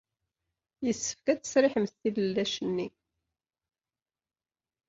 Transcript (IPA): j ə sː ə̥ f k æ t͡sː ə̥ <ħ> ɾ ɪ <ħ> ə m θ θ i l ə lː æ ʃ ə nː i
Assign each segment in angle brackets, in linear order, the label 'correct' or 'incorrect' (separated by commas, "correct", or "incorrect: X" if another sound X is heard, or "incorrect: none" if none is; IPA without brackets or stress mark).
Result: incorrect: s, correct